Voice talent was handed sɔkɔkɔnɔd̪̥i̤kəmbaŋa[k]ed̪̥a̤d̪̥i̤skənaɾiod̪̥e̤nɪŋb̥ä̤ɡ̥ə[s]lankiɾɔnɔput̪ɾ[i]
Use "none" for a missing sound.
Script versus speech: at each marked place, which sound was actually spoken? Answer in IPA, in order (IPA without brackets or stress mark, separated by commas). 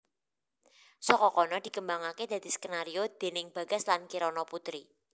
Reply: k, s, i